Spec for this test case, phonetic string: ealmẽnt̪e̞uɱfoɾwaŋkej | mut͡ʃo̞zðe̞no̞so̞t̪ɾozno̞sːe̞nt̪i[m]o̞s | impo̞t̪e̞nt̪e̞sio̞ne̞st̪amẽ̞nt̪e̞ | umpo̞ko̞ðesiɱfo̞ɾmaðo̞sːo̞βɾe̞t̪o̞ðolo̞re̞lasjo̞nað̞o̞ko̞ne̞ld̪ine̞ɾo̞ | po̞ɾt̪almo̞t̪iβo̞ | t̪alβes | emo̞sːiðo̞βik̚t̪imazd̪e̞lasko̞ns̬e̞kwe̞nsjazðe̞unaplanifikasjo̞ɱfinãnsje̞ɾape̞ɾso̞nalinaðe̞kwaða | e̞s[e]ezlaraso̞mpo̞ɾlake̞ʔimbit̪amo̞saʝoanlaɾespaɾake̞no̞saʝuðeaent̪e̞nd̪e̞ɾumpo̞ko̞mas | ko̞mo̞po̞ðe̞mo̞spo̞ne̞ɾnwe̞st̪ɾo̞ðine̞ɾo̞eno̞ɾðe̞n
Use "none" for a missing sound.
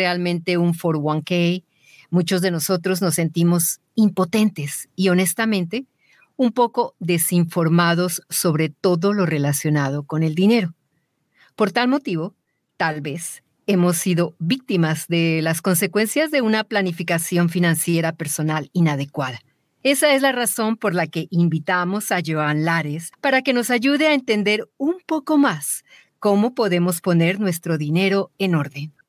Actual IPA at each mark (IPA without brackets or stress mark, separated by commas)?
m, a